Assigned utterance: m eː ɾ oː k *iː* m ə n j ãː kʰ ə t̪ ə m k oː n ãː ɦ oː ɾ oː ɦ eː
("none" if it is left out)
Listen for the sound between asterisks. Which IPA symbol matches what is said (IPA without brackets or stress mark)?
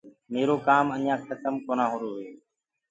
aː